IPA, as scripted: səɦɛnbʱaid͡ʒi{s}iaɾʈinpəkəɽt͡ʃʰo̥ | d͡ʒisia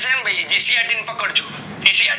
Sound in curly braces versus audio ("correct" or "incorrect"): correct